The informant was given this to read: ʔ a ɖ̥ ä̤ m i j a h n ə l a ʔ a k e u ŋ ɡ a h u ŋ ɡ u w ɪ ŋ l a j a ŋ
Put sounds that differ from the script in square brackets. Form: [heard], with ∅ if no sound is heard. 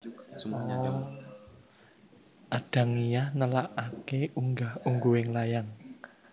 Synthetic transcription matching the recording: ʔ a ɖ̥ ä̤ [ŋ] i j a h n ə l a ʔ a k e u ŋ ɡ a h u ŋ ɡ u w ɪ ŋ l a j a ŋ